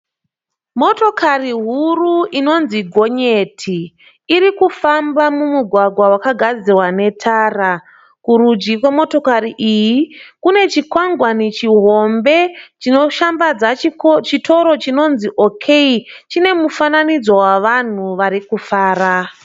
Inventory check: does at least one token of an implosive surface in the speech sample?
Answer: no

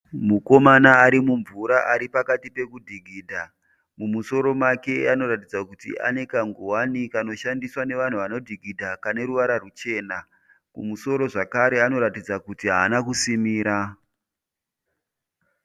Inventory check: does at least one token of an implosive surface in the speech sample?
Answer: no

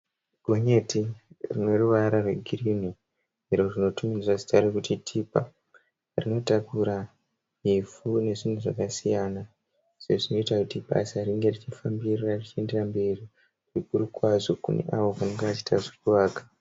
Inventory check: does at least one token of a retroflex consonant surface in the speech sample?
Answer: yes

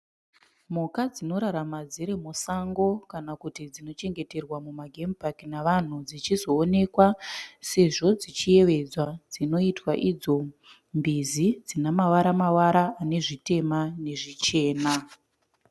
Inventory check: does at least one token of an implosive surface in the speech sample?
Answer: no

